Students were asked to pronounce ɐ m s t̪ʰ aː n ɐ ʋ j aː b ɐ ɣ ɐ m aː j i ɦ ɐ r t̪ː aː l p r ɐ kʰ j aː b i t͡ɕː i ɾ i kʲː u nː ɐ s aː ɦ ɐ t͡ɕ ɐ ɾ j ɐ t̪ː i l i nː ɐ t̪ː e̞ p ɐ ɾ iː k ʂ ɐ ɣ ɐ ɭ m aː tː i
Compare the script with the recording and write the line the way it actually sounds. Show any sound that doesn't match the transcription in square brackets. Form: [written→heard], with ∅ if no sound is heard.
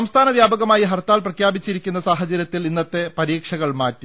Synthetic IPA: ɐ m s t̪ʰ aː n ɐ ʋ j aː b ɐ ɣ ɐ m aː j i ɦ ɐ r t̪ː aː l p r ɐ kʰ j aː b i t͡ɕː i ɾ i kʲː u nː ɐ s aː ɦ ɐ t͡ɕ ɐ ɾ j ɐ t̪ː i l i nː ɐ t̪ː e̞ p ɐ ɾ iː k ʂ ɐ ɣ ɐ ɭ m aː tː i